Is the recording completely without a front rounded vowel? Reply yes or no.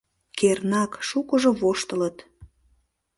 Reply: yes